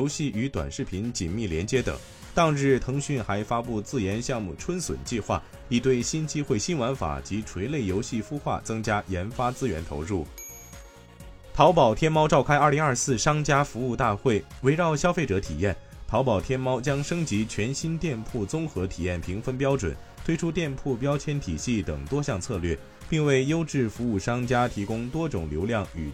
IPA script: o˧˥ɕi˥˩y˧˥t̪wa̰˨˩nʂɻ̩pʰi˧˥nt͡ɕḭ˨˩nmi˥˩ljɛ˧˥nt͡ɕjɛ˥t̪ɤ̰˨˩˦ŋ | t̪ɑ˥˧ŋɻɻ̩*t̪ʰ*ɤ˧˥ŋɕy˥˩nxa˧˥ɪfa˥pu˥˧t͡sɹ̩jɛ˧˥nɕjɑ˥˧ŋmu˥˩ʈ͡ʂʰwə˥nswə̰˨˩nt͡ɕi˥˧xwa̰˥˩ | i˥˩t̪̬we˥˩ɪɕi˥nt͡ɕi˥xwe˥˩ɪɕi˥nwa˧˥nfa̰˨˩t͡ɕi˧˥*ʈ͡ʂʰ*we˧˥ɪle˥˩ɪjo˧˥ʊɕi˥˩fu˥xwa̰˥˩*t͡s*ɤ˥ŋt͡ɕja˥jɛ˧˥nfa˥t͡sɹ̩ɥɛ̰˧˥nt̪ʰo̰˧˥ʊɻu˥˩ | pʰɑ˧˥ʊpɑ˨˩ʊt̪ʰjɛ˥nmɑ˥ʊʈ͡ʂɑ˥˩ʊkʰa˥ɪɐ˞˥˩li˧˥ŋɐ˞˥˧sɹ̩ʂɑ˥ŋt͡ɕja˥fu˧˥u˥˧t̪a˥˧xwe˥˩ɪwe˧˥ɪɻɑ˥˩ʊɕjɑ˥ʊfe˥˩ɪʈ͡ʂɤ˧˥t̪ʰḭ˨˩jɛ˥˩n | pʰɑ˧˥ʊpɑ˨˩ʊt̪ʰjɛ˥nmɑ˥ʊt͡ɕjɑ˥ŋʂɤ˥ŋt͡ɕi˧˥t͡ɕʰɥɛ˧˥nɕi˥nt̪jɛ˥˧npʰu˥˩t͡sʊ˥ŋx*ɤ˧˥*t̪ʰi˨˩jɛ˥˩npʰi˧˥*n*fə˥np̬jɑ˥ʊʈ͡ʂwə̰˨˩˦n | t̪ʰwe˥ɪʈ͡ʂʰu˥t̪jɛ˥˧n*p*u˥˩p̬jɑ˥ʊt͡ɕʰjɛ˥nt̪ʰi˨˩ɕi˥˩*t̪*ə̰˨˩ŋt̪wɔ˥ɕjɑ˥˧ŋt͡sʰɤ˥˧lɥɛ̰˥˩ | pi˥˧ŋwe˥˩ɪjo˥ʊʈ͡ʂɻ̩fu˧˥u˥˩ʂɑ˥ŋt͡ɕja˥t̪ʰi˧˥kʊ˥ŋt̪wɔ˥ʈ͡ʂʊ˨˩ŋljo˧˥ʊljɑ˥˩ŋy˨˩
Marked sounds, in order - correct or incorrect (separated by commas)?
correct, correct, correct, correct, incorrect, incorrect, correct